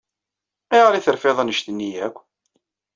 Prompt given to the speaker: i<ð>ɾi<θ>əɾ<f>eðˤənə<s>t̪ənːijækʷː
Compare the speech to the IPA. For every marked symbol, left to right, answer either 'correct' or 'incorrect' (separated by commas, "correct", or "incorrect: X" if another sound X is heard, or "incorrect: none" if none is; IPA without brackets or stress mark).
incorrect: ʁ, correct, correct, incorrect: ʃ